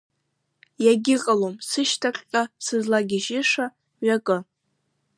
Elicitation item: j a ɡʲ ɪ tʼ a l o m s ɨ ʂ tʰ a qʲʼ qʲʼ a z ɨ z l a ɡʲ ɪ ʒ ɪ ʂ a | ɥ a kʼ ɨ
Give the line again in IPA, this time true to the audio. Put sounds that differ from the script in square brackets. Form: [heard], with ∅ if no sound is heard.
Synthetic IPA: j a ɡʲ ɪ [qʼ] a l o m s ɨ [ʃ] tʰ a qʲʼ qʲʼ a [s] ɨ z l a ɡʲ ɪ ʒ ɪ ʂ a | ɥ a kʼ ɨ

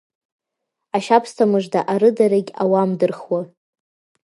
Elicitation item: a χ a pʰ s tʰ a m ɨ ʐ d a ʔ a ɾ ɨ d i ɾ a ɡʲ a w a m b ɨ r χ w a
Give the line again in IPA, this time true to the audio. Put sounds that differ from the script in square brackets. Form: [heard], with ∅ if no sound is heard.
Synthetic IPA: a [ʃ] a pʰ s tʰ a m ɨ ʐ d a ʔ a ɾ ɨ d [a] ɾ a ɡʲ a w a m [d] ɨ r χ w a

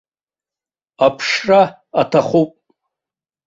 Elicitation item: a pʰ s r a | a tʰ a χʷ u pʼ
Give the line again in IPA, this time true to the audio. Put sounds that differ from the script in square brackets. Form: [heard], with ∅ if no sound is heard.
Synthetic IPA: a pʰ [ʂ] r a | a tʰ a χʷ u pʼ

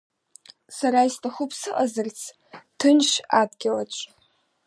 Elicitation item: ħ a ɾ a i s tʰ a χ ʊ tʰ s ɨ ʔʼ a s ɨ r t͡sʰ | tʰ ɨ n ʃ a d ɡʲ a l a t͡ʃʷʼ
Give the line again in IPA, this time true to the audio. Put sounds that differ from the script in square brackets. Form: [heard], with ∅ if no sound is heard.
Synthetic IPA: [s] a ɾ a i s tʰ a χ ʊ [pʰ] s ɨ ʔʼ a [z] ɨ r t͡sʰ | tʰ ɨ n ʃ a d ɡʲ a l a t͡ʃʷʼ

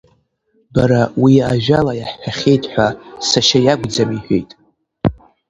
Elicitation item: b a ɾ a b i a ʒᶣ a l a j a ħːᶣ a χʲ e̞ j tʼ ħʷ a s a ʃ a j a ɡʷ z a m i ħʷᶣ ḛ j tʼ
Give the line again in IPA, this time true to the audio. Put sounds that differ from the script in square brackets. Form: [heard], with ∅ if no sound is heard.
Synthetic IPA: b a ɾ a [w] i a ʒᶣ a l a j a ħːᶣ a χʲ e̞ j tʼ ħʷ a s a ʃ a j a ɡʷ [d͡z] a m i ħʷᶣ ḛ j tʼ

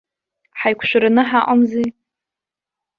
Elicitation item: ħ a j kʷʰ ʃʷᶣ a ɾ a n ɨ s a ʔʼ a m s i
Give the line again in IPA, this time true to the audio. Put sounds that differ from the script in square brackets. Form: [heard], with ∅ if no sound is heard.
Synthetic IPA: ħ a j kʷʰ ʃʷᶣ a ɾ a n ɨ [ħ] a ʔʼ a m [z] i

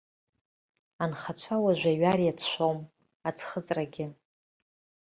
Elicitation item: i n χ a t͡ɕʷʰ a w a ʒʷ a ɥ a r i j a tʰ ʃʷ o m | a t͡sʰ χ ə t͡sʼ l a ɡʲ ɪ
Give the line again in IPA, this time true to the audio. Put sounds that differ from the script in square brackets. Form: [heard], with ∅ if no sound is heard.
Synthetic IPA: [a] n χ a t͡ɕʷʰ a w a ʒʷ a ɥ a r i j a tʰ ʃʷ o m | a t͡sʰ χ ə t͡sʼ [r] a ɡʲ ɪ

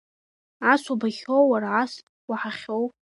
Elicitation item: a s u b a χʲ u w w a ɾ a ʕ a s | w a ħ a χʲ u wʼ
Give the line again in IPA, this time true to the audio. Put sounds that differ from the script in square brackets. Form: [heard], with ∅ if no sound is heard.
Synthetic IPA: a s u b a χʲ [o] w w a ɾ a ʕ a s | w a ħ a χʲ [o] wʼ

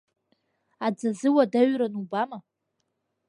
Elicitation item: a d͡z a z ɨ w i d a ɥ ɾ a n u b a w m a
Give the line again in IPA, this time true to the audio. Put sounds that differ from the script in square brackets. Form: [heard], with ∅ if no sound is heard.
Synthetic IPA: a d͡z a z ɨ w [a] d a ɥ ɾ a n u b a [∅] m a

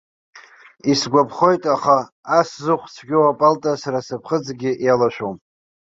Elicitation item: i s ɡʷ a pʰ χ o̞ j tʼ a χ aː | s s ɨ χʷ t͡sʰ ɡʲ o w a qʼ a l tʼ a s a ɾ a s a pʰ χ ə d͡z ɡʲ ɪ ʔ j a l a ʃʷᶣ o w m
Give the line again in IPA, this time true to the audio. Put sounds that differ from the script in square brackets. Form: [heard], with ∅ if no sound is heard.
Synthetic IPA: i s ɡʷ a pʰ χ o̞ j tʼ a χ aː | s [z] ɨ χʷ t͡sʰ ɡʲ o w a [pʼ] a l tʼ a s a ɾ a s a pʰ χ ə d͡z ɡʲ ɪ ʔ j a l a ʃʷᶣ o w m

